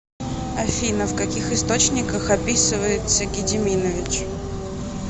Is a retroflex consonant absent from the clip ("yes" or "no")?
yes